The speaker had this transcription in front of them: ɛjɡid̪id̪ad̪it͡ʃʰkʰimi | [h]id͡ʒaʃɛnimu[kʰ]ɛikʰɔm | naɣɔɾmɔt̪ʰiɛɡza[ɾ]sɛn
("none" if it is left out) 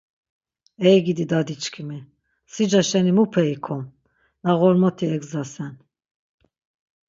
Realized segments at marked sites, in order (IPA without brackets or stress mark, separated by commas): s, pʰ, none